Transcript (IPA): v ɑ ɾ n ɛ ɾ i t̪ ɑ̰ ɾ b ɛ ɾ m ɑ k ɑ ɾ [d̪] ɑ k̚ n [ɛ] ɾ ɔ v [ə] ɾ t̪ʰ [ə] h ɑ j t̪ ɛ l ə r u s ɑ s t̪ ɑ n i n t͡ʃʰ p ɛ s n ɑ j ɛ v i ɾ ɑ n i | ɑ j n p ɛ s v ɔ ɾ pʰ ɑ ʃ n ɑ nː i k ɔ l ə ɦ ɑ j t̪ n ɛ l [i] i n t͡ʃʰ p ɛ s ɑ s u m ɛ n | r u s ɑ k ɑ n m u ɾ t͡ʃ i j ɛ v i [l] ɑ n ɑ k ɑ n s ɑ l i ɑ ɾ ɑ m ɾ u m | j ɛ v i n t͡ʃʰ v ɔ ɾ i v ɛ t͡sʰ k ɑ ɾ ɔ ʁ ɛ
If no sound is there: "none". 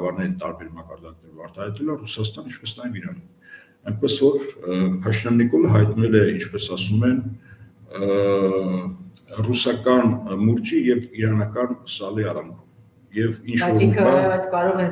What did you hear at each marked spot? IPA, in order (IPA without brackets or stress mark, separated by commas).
d̪, ɛ, ɑ, ɑ, ɛ, ɾ